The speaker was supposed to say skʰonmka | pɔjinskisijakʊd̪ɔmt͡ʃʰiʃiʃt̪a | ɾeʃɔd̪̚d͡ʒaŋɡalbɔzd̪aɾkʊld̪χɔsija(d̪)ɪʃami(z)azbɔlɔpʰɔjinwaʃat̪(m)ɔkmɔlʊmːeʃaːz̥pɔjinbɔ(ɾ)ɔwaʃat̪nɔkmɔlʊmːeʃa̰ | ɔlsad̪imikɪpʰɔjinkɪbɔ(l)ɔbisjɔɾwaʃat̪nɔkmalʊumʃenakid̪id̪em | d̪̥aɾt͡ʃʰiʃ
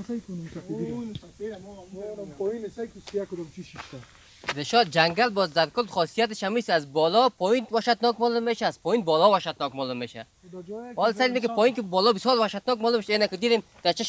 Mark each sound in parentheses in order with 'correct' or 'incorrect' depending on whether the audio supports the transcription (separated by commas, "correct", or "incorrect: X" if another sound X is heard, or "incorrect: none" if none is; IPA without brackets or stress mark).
incorrect: t̪, incorrect: s, incorrect: n, incorrect: l, correct